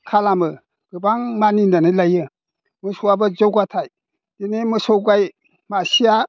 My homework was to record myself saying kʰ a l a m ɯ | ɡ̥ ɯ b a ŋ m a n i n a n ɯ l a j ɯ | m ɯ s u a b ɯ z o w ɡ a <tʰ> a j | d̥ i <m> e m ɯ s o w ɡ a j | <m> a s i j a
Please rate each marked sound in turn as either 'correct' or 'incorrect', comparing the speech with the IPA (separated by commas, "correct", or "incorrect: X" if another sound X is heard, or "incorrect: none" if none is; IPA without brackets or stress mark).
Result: correct, incorrect: n, correct